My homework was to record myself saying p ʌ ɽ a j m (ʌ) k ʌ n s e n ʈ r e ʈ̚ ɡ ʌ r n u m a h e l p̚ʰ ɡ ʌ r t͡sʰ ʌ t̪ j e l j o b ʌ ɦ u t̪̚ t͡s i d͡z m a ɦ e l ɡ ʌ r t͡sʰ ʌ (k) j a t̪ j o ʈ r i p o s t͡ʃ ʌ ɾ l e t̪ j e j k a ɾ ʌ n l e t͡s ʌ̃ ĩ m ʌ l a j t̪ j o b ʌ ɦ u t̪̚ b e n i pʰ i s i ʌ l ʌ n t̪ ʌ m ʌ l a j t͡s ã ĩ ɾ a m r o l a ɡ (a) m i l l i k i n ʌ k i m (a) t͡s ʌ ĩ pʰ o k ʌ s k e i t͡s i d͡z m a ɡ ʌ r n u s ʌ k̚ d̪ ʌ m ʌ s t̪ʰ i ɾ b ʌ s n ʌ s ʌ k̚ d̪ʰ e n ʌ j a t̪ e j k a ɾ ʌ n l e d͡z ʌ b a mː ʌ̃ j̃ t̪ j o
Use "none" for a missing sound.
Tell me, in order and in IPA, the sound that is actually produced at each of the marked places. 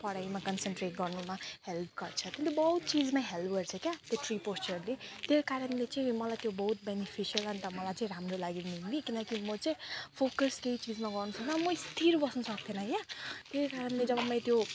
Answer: a, k, i, ʌ

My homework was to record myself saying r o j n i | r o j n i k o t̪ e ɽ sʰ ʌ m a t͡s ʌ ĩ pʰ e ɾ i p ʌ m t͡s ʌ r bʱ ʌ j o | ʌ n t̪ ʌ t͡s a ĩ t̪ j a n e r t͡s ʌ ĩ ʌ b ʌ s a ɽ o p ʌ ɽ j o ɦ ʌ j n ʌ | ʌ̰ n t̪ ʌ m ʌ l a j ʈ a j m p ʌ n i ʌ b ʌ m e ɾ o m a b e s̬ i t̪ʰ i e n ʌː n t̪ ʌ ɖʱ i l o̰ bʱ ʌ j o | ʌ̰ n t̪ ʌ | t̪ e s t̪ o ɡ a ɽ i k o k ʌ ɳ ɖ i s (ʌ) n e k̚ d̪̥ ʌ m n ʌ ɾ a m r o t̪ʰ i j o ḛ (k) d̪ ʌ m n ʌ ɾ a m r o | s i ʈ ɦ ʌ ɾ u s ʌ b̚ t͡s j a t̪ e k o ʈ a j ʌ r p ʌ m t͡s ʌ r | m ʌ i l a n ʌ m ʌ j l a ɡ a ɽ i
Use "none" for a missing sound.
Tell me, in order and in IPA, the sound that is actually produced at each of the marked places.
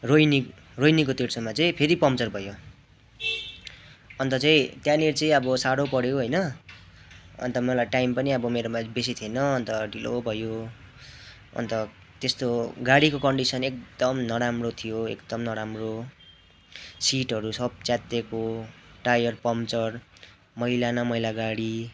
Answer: ʌ, k

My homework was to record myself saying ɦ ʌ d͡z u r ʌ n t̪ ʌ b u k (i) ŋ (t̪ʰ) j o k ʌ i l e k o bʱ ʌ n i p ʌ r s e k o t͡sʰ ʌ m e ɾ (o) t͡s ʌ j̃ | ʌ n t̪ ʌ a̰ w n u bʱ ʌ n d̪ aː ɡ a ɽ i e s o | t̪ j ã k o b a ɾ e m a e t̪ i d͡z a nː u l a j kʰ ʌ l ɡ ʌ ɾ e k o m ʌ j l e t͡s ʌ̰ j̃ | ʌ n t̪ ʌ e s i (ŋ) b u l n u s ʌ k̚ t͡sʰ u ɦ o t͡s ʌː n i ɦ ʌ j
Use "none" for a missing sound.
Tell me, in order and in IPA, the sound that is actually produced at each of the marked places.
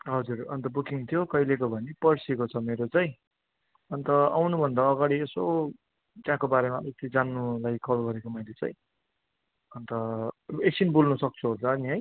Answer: i, t̪ʰ, o, n

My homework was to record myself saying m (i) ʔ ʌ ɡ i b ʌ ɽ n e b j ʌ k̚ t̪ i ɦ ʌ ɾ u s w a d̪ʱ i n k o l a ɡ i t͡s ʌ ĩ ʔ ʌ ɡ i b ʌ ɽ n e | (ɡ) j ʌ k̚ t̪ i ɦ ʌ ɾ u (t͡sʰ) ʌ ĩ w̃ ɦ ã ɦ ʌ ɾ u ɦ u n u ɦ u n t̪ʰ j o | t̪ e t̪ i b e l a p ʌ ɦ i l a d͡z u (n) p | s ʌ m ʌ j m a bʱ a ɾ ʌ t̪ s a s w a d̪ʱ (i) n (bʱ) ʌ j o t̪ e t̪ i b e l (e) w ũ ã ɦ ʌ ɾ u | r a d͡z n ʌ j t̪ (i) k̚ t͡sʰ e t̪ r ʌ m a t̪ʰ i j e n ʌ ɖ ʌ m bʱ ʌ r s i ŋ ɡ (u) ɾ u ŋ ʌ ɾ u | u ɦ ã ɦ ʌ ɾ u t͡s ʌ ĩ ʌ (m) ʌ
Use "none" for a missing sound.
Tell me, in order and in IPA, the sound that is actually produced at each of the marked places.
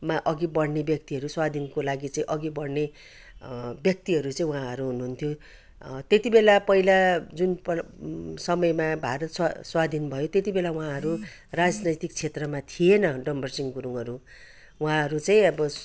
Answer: a, b, t͡s, n, i, bʱ, a, i, u, b

